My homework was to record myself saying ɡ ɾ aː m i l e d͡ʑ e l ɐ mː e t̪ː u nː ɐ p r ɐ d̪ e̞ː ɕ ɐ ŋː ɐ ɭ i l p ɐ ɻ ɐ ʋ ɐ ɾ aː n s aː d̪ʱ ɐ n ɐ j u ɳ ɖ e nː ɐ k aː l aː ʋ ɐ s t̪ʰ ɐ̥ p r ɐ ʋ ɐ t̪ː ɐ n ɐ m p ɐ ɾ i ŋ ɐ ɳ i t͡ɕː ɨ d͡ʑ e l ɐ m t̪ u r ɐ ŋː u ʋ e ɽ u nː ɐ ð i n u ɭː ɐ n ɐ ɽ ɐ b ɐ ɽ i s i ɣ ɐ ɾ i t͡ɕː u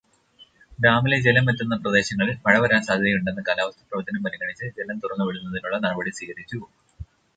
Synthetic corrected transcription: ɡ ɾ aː m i l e d͡ʑ e l ɐ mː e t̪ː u nː ɐ p r ɐ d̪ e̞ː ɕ ɐ ŋː ɐ ɭ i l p ɐ ɻ ɐ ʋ ɐ ɾ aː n s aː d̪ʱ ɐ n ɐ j u ɳ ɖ e nː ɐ k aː l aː ʋ ɐ s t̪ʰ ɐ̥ p r ɐ ʋ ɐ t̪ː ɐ n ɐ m p ɐ ɾ i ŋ ɐ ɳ i t͡ɕː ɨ d͡ʑ e l ɐ m t̪ u r ɐ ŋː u ʋ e ɽ u nː ɐ ð i n u ɭː ɐ n ɐ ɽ ɐ b ɐ ɽ i s iː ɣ ɐ ɾ i t͡ɕː u